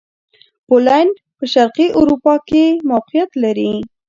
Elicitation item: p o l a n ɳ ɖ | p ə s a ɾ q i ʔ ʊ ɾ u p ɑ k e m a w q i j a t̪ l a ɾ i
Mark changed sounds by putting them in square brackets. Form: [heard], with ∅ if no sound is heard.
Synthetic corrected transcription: p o l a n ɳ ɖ | p ə [ʃ] a ɾ q i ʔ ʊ ɾ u p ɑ k e m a w q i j a t̪ l a ɾ i